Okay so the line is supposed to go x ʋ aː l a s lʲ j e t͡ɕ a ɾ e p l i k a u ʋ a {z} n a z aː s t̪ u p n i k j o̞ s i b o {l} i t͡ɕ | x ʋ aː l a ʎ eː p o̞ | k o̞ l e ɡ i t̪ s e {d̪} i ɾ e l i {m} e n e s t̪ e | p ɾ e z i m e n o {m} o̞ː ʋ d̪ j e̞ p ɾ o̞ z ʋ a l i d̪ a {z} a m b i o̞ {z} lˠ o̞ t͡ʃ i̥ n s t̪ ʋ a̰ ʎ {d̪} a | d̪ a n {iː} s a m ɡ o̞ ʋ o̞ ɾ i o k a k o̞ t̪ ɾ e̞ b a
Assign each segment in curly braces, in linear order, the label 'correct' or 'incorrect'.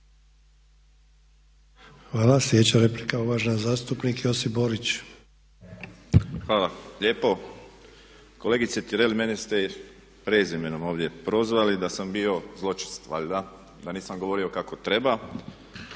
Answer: incorrect: ʒ, incorrect: ɾ, incorrect: t̪, correct, correct, incorrect: s, correct, correct, correct

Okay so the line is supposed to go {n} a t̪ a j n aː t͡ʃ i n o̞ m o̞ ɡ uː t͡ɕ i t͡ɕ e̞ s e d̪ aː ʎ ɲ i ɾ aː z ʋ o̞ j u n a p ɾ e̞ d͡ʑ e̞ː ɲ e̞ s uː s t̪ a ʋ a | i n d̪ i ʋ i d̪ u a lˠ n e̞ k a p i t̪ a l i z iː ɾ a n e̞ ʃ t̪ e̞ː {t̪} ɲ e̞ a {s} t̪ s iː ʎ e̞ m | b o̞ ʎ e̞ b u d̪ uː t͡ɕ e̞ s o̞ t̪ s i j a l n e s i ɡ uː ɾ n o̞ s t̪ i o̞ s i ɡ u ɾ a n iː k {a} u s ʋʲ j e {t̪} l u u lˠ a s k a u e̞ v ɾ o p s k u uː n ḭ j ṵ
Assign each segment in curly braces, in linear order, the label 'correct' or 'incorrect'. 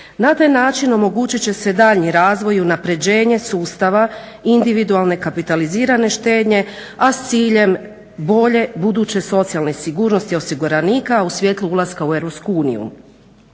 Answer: correct, incorrect: d̪, correct, correct, correct

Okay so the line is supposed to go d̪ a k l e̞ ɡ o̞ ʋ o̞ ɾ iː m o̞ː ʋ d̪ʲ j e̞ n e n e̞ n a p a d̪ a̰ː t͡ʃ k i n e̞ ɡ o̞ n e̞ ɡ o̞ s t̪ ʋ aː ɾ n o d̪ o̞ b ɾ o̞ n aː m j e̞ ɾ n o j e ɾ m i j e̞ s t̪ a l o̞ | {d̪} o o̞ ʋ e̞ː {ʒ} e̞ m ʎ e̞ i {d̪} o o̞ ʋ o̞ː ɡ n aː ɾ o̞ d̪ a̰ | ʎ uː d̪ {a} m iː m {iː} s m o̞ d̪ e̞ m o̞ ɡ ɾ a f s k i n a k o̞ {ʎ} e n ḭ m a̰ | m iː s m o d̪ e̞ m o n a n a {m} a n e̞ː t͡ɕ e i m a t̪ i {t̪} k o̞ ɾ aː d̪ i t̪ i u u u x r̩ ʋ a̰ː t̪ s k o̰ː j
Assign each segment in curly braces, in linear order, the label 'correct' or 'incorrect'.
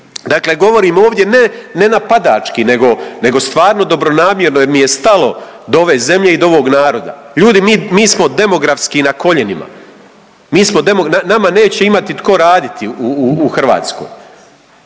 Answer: correct, incorrect: z, correct, incorrect: i, correct, correct, correct, correct

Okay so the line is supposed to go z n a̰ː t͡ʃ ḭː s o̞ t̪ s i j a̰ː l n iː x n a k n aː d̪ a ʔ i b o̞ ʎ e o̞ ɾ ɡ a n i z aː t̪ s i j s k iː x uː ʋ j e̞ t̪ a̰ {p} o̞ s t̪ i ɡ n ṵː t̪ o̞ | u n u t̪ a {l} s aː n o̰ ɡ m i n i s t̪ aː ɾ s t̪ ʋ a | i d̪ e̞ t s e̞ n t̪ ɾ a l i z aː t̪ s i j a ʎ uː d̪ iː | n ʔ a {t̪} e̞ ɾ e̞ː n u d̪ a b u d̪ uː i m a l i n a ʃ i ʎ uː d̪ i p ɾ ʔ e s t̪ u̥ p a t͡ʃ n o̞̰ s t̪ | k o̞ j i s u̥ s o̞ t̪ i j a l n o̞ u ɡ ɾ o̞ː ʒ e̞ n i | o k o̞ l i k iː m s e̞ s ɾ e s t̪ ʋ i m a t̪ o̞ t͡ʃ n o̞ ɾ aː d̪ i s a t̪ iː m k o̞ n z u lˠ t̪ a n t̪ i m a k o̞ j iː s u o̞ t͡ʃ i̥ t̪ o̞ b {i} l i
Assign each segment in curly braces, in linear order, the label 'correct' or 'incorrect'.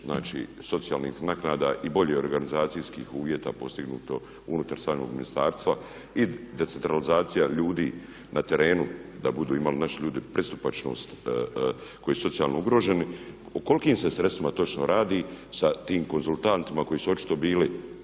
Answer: correct, incorrect: ɾ, correct, incorrect: iː

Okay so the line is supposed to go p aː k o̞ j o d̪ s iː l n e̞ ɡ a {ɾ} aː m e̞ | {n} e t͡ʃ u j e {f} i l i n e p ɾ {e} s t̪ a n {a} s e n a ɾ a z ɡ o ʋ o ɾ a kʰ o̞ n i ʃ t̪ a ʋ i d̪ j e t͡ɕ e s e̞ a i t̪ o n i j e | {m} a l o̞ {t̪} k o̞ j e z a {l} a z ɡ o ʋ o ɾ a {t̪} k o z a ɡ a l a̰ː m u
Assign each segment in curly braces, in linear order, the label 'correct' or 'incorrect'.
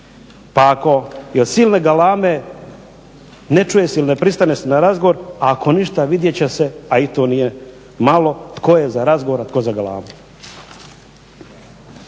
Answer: incorrect: l, correct, incorrect: s, incorrect: i, incorrect: e, correct, correct, incorrect: ɾ, correct

